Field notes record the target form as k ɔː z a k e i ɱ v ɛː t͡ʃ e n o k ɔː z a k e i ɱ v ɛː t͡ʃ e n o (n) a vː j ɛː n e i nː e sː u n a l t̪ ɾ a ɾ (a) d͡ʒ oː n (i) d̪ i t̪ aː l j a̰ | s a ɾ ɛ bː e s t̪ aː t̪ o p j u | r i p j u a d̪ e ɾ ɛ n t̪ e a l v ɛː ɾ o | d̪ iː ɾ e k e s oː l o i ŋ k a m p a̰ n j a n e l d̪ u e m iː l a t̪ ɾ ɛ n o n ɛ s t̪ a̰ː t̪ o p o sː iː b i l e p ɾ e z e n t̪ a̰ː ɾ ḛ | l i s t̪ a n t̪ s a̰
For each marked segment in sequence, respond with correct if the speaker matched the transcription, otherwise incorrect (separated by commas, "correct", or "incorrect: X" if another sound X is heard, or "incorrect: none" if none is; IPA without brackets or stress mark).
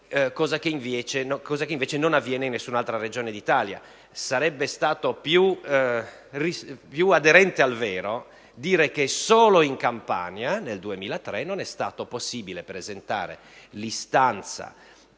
correct, incorrect: e, incorrect: e